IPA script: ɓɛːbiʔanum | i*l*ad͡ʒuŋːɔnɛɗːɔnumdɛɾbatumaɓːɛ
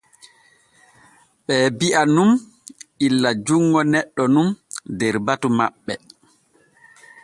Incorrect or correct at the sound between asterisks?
incorrect: lː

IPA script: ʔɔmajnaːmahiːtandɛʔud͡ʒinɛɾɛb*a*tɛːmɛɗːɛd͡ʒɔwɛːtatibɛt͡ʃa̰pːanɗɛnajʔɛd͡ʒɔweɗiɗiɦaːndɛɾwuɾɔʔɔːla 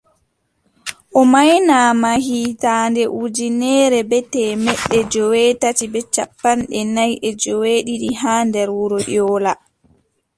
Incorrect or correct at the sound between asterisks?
incorrect: ɛ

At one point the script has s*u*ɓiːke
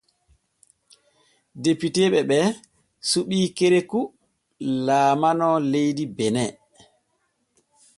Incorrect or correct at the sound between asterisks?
correct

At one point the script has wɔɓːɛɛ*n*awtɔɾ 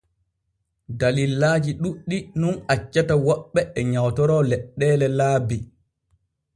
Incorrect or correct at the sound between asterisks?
incorrect: ɲ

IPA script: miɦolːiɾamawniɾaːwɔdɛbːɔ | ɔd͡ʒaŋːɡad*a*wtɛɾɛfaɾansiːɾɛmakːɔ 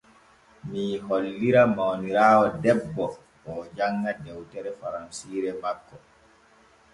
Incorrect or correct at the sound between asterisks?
incorrect: ɛ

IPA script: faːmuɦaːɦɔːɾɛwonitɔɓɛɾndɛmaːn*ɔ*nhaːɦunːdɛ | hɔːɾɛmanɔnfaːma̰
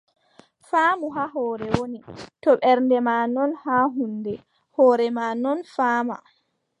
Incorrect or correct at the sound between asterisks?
correct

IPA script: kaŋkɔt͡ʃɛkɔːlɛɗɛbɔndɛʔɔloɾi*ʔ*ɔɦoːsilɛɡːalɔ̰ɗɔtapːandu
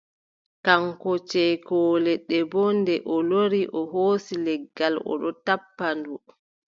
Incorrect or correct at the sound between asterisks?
correct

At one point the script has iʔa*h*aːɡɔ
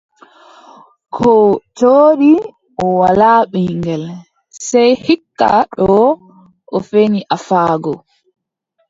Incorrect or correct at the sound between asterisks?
incorrect: f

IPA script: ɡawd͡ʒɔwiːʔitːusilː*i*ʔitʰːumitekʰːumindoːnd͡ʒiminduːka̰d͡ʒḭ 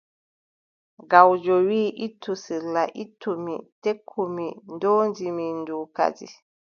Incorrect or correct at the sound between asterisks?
incorrect: a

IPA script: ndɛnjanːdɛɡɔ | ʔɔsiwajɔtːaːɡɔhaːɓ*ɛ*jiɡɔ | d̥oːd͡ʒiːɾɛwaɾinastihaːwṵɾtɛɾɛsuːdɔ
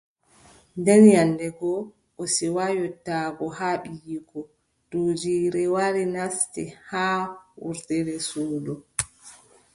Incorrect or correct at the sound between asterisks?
incorrect: i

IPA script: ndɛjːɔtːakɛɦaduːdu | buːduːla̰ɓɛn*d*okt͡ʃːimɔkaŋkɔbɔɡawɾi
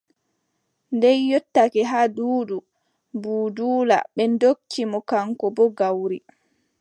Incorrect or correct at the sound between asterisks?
correct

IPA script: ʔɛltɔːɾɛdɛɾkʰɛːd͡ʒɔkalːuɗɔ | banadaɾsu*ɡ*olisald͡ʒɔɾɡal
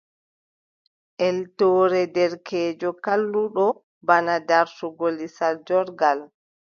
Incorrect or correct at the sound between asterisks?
correct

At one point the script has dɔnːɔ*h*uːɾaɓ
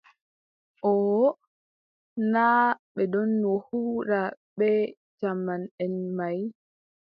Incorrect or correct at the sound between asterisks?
correct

